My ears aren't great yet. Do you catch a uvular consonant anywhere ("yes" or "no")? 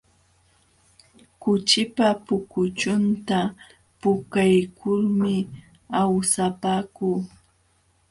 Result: no